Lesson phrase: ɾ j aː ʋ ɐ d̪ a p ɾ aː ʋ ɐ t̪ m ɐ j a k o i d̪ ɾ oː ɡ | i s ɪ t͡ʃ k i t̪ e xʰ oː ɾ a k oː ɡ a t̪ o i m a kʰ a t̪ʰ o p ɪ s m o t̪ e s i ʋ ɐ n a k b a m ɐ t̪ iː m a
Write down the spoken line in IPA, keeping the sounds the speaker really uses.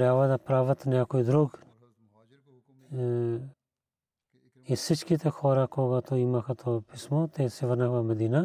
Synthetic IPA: ɾ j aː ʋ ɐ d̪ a p ɾ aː ʋ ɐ t̪ n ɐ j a k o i d̪ ɾ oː ɡ | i s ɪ t͡ʃ k i t̪ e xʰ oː ɾ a k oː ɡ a t̪ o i m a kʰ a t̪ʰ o p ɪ s m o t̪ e s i ʋ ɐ n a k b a m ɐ d̪ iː n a